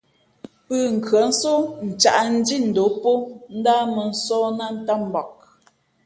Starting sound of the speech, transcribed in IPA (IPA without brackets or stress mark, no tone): p